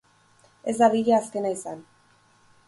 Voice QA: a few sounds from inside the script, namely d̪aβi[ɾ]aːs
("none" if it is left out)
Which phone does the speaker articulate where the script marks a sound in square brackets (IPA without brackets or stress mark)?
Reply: ʎ